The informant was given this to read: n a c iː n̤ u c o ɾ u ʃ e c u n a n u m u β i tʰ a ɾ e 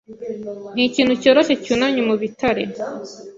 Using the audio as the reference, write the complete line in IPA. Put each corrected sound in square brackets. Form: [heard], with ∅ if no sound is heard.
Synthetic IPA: n [i] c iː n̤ u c o ɾ [o] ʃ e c u n a [ɲ] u m u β i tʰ a ɾ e